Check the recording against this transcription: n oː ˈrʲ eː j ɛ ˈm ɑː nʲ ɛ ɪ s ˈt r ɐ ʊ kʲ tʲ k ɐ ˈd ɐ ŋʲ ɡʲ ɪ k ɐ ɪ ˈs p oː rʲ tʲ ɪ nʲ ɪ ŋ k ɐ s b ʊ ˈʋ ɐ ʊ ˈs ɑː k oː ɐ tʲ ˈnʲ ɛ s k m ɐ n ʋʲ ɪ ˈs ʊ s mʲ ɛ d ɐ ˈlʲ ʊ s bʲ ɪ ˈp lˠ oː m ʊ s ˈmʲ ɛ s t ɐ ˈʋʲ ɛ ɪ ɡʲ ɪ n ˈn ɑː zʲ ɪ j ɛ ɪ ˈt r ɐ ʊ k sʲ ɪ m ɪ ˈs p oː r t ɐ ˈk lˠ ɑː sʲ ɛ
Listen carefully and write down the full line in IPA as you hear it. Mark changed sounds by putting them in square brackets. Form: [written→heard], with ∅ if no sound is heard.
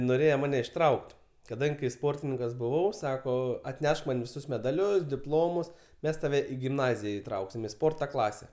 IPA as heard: n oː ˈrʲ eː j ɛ ˈm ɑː nʲ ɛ ɪ [s→ʃ] ˈt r ɐ ʊ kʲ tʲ k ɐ ˈd ɐ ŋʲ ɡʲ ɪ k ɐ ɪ ˈs p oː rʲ tʲ ɪ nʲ ɪ ŋ k ɐ s b ʊ ˈʋ ɐ ʊ ˈs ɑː k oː ɐ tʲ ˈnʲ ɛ [s→ʃ] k m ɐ n ʋʲ ɪ ˈs ʊ s mʲ ɛ d ɐ ˈlʲ ʊ s [bʲ→dʲ] ɪ ˈp lˠ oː m ʊ s ˈmʲ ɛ s t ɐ ˈʋʲ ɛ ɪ ɡʲ ɪ [n→m] ˈn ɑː zʲ ɪ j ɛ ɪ ˈt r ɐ ʊ k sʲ ɪ m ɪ ˈs p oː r t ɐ ˈk lˠ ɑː sʲ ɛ